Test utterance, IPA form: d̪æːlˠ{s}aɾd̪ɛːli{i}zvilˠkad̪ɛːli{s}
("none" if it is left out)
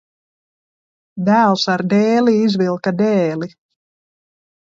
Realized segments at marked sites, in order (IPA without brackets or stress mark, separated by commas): s, i, none